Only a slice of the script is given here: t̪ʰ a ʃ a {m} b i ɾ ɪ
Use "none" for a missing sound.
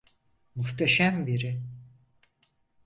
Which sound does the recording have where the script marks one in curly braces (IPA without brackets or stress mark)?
m